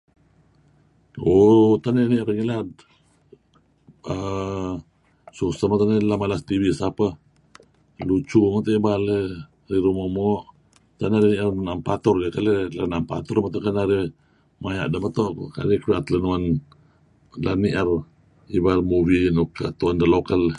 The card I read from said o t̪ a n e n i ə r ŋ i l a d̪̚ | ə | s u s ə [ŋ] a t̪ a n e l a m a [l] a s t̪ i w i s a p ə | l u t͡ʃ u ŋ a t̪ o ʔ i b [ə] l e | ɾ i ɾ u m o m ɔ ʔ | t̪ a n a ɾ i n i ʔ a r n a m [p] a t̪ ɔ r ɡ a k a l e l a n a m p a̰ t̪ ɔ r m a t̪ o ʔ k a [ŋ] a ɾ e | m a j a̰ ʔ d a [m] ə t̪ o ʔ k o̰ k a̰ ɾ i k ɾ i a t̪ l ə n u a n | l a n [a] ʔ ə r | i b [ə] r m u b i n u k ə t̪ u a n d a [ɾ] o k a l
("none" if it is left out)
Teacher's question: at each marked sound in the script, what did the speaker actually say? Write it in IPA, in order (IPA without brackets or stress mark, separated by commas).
m, l, a, p, n, m, i, a, l